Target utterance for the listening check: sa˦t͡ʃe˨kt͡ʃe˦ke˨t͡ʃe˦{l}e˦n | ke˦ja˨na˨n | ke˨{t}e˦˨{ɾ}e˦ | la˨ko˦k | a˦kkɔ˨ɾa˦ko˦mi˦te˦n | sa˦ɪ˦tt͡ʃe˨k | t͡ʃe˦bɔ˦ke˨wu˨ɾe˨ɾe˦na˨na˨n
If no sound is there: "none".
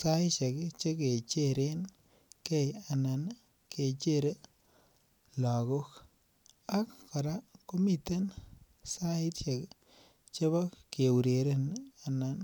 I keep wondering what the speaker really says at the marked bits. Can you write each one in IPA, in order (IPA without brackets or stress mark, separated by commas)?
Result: ɾ, t͡ʃ, ɾ